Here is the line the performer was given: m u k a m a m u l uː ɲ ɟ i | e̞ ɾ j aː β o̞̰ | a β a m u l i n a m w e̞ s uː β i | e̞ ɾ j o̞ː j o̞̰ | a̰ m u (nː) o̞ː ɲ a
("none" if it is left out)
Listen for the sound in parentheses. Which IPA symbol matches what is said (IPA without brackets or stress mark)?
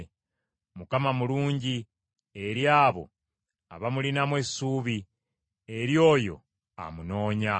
n